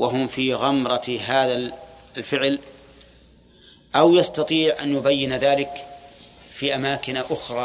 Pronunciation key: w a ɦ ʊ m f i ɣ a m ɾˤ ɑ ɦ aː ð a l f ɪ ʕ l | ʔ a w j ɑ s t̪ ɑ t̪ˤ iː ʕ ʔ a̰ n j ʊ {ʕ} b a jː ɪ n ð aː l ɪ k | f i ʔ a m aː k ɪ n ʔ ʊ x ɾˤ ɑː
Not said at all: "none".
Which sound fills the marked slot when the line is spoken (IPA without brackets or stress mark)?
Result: none